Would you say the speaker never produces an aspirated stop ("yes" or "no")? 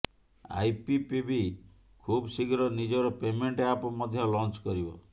no